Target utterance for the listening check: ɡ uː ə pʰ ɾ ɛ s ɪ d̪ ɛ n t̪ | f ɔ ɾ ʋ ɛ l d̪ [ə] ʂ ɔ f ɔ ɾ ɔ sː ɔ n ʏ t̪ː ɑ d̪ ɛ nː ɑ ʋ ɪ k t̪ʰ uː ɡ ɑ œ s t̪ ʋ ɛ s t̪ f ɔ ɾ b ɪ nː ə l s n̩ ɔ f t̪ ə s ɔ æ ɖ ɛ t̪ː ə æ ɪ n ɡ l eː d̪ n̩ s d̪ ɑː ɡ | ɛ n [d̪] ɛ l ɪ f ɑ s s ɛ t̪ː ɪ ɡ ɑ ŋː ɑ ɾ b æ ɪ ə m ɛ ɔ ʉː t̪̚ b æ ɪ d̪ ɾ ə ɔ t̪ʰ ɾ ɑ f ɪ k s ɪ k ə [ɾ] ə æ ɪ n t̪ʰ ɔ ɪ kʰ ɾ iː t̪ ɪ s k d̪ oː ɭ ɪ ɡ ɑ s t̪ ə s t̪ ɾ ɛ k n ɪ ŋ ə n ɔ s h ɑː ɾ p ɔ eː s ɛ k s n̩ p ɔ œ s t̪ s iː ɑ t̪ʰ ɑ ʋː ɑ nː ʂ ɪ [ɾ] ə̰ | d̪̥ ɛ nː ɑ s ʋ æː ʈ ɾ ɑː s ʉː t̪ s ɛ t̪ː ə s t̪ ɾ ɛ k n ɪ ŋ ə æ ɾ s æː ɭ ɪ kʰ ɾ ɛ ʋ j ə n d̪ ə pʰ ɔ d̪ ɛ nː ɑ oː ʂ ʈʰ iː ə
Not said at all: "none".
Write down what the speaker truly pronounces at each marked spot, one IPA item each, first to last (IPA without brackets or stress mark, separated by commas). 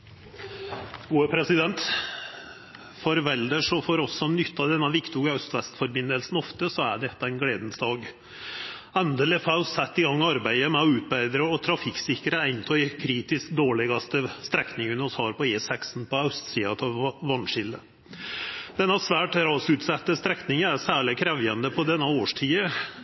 ə, d̪, ɾ, l